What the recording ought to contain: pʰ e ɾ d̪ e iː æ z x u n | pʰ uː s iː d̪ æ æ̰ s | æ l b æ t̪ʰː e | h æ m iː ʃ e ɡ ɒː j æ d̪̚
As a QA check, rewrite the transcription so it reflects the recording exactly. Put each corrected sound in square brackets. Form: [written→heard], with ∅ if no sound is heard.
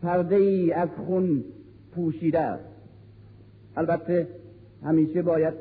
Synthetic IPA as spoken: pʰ [e→æ] ɾ d̪ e iː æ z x u n | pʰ uː [s→ʃ] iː d̪ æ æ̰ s | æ l b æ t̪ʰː e | h æ m iː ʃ e [ɡ→b] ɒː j æ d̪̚